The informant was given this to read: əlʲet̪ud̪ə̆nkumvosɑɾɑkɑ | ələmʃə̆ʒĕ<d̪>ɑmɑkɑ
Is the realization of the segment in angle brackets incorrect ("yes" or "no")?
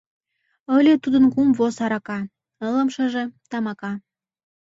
yes